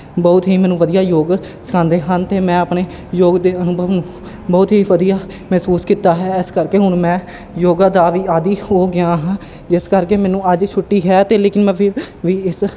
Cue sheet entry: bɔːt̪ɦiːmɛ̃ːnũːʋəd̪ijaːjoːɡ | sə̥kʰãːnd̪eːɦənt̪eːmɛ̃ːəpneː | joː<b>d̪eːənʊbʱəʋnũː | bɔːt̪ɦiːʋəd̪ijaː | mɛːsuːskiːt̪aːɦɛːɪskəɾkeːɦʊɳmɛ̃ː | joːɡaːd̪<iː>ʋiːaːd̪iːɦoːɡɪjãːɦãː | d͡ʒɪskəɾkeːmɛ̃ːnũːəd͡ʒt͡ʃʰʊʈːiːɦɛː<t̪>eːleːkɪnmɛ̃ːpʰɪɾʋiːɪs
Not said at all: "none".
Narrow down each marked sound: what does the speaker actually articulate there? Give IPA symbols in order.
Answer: ɡ, aː, t̪

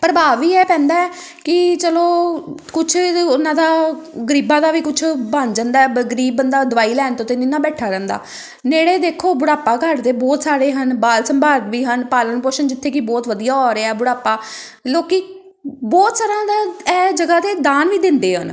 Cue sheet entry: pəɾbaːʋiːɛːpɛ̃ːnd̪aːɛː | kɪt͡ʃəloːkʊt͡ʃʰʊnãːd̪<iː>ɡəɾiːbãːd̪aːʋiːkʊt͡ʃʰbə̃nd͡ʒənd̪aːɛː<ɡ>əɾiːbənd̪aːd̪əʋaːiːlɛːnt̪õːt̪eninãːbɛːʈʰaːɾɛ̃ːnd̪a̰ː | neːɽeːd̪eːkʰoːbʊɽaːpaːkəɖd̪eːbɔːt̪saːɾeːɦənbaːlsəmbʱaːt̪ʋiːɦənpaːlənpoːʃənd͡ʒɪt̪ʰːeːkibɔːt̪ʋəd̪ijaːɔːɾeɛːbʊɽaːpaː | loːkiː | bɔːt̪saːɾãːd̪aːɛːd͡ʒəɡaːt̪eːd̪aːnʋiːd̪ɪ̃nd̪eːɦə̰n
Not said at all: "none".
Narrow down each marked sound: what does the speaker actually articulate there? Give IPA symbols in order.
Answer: aː, ɡ

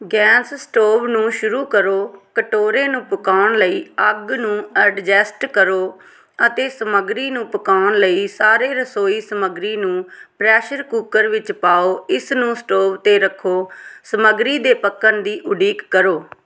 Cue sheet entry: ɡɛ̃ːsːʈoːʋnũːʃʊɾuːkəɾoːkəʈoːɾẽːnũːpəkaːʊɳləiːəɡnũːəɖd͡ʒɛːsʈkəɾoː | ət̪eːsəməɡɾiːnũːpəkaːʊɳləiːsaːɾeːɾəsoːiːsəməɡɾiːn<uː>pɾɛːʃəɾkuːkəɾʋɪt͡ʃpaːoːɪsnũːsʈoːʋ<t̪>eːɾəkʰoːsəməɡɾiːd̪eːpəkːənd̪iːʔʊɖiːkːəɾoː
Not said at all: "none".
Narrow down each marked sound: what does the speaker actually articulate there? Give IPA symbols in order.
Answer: ũː, t̪

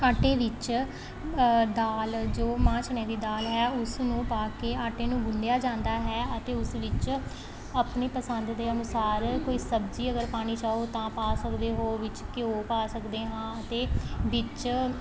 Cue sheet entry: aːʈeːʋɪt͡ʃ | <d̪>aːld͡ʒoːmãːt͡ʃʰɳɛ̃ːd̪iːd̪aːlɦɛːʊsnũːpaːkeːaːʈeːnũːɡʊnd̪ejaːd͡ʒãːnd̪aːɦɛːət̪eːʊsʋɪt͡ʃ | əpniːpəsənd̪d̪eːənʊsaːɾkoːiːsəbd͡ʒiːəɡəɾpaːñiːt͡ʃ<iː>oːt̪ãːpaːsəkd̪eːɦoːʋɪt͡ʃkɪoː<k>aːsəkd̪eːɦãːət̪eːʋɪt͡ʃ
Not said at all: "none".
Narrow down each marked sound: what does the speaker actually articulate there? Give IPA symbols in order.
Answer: d̪, aː, p

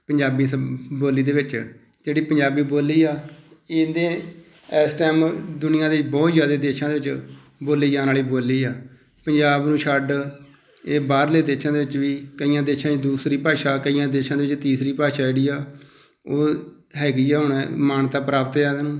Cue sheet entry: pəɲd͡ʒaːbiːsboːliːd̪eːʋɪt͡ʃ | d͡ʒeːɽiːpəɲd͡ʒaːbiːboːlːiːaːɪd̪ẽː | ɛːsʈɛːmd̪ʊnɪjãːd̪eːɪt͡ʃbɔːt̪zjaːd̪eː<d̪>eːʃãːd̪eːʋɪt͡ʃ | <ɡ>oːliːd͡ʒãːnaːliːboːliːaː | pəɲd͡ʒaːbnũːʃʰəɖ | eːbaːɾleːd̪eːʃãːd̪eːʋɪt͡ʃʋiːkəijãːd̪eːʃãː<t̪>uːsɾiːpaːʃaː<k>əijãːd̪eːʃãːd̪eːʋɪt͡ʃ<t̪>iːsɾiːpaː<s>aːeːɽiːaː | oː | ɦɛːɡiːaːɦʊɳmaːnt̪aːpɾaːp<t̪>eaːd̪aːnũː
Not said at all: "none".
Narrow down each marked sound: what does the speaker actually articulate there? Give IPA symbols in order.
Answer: d̪, b, d̪, k, t̪, ʃ, t̪

